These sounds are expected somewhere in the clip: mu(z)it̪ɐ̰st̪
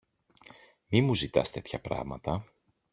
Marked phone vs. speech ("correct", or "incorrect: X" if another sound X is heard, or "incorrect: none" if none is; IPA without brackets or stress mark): correct